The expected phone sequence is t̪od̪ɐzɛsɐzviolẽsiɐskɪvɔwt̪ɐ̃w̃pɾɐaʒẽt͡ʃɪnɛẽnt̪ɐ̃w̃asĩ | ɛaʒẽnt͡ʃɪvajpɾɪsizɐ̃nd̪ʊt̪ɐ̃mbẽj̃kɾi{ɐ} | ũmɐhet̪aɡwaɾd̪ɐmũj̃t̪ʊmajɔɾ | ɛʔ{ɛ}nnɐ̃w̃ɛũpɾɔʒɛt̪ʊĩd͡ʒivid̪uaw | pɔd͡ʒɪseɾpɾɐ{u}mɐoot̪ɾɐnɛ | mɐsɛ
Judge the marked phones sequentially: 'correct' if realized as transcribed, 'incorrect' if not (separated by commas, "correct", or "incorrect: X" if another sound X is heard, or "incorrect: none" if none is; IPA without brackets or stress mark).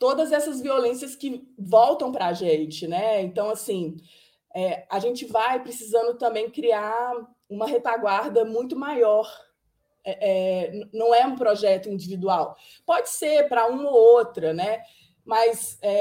incorrect: a, correct, incorrect: ũ